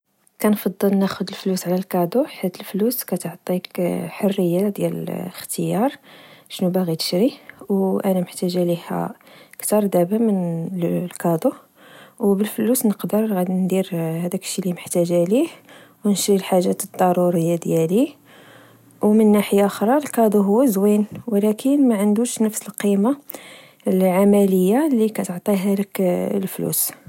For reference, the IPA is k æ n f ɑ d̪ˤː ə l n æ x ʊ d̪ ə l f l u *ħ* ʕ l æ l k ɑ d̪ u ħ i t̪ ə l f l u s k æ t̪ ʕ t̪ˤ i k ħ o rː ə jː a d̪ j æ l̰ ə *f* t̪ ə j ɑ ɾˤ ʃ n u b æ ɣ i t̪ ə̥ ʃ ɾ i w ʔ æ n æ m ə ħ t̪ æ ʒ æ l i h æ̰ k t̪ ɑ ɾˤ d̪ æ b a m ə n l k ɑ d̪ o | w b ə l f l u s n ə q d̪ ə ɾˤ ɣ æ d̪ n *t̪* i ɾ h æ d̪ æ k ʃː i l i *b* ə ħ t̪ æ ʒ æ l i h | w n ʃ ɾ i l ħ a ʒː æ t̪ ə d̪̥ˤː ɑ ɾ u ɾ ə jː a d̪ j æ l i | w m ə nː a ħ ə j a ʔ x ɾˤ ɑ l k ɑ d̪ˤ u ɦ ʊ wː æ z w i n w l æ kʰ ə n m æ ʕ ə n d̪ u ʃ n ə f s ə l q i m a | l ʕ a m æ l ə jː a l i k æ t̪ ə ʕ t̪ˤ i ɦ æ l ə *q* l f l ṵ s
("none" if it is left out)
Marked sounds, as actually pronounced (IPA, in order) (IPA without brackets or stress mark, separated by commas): s, x, d̪, m, k